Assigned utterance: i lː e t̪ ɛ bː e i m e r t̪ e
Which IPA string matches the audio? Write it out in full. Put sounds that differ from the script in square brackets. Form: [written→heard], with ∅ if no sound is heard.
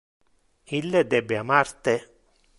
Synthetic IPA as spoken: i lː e [t̪→d̪] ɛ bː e [i→a] m [e→a] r t̪ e